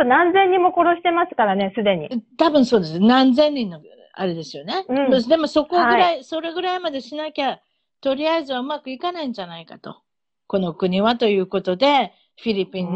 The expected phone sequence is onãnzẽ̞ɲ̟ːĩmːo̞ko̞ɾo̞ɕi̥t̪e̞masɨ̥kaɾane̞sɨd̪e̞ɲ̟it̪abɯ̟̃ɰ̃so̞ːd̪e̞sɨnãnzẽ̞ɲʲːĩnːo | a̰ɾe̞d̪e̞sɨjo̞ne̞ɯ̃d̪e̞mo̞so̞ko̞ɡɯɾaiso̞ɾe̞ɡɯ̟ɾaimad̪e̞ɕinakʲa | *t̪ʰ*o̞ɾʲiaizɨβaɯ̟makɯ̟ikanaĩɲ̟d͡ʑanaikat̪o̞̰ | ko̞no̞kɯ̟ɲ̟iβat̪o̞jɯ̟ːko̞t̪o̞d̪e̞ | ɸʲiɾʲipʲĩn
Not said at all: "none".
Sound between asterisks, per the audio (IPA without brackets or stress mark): t̪